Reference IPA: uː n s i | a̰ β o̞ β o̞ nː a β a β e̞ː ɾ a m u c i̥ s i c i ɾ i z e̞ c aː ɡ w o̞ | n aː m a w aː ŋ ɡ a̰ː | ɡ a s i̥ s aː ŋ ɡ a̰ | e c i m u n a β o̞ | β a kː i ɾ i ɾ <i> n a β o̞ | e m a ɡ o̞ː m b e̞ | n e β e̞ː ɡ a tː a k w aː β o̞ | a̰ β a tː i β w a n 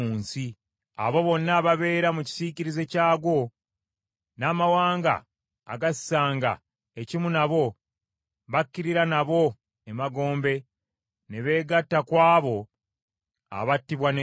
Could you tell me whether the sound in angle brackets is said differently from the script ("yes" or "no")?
yes